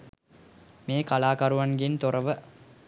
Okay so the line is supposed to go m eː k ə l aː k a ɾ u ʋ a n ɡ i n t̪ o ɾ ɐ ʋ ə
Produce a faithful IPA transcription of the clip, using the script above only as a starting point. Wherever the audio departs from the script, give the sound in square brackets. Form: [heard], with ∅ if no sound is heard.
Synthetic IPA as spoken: m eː k [a] l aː k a ɾ u ʋ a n ɡ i n t̪ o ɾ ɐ ʋ ə

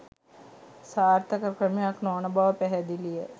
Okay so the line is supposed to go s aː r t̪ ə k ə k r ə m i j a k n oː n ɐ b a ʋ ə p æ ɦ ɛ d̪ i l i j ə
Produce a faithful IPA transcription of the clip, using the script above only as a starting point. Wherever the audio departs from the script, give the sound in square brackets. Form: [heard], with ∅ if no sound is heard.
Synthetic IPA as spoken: s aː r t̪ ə k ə k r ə m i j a k n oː n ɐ b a ʋ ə p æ ɦ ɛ d̪ i l i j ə

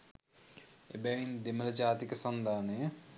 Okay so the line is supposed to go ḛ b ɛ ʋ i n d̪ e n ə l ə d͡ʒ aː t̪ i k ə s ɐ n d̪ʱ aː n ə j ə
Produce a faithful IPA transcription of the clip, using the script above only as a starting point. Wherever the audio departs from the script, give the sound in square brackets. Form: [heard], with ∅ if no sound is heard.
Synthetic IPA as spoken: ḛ b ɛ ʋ i n d̪ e [m] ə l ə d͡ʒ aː t̪ i k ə s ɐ n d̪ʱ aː n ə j ə

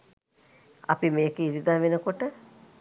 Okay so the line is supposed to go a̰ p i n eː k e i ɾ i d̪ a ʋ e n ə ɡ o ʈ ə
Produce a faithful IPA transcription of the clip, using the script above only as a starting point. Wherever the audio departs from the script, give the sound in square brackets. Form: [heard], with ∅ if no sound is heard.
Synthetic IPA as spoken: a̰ p i [m] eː k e i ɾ i d̪ a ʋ e n ə [k] o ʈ ə

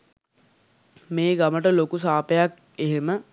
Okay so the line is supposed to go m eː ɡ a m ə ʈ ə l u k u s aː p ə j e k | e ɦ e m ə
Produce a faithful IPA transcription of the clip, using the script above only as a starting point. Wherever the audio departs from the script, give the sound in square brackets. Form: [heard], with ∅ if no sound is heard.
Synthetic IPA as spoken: m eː ɡ a m ə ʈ ə l [o] k u s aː p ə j [a] k | e ɦ e m ə

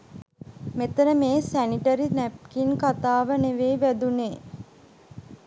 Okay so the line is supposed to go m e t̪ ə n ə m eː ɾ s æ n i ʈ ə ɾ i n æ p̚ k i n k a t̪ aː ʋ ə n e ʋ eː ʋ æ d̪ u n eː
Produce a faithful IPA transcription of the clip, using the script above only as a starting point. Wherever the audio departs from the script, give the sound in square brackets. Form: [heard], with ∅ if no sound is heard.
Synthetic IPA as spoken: m e t̪ ə n ə m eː [∅] s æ n i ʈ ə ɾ i n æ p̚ k i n k a t̪ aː ʋ ə n e ʋ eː ʋ æ d̪ u n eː

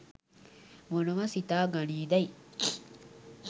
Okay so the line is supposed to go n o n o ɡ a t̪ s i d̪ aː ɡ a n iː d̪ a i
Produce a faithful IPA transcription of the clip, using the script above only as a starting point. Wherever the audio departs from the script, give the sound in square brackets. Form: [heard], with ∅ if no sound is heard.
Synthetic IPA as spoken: [m] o n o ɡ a [∅] s i [t̪] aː ɡ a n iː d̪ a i

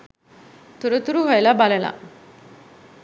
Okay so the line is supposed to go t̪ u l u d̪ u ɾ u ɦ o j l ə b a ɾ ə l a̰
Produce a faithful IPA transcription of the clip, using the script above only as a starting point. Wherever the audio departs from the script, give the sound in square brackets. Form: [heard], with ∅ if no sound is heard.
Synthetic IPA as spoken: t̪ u [ɾ] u [t̪] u ɾ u ɦ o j l [a] b a [l] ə l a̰

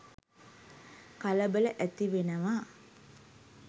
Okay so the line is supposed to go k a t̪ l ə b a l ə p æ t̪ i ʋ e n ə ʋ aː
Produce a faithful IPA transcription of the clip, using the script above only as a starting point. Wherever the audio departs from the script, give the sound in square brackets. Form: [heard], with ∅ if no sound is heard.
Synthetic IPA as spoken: k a [∅] l ə b [ə] l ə [ʔ] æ t̪ i ʋ e n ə ʋ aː

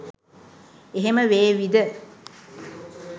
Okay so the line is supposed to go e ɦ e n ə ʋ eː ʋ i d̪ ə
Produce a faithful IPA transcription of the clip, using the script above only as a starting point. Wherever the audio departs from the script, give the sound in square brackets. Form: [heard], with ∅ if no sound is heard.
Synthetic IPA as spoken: e ɦ e [m] ə ʋ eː ʋ i d̪ ə

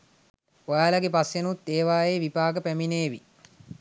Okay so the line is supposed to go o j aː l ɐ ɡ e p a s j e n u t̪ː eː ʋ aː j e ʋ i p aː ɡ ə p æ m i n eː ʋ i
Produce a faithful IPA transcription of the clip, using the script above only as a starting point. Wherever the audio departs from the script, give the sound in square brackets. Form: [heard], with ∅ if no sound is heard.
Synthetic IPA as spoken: o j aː l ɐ ɡ e p a s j e n u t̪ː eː ʋ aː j e ʋ i p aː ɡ ə p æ m i n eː ʋ i

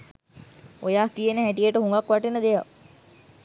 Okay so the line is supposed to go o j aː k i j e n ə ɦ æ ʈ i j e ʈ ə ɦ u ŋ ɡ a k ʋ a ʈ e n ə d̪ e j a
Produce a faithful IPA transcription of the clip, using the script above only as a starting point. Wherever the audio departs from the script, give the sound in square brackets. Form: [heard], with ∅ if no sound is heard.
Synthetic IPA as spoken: o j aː k i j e n ə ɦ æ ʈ i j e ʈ ə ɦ u ŋ ɡ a k ʋ a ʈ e n ə d̪ e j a

